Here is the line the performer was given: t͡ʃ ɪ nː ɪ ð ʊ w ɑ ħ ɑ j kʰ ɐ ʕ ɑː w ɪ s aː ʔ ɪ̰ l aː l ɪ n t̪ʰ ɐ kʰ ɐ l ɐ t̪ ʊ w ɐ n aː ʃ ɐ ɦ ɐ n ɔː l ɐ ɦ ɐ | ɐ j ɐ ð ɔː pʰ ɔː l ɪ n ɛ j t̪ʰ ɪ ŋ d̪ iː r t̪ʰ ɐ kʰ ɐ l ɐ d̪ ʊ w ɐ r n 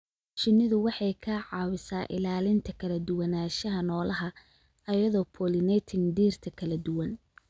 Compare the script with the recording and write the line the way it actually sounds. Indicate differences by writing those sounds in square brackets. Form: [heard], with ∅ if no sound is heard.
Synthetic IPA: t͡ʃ ɪ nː ɪ ð ʊ w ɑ ħ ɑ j kʰ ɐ ʕ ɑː w ɪ s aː ʔ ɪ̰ l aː l ɪ n t̪ʰ ɐ kʰ ɐ l ɐ [d̪] ʊ w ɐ n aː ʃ ɐ ɦ ɐ n ɔː l ɐ ɦ ɐ | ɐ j ɐ ð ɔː pʰ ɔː l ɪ n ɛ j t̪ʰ ɪ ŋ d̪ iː r t̪ʰ ɐ kʰ ɐ l ɐ d̪ ʊ w ɐ [∅] n